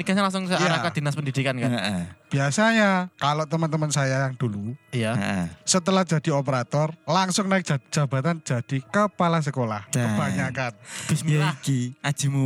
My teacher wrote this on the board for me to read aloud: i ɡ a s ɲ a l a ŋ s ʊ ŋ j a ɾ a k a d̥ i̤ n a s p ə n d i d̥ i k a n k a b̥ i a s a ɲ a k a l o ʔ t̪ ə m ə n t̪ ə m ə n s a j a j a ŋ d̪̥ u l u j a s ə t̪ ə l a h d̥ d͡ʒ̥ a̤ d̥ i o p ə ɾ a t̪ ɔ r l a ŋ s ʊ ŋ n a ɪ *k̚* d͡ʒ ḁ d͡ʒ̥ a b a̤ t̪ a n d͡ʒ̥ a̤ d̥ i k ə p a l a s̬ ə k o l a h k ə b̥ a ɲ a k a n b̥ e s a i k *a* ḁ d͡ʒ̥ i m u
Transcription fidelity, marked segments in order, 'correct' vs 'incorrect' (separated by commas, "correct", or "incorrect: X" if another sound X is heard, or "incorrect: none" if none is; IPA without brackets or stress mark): correct, incorrect: i